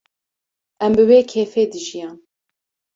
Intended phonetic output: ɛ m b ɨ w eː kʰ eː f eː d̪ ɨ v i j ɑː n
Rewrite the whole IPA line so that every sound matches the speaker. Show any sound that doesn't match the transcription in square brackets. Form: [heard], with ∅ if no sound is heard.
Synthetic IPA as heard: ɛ m b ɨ w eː kʰ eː f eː d̪ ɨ [ʒ] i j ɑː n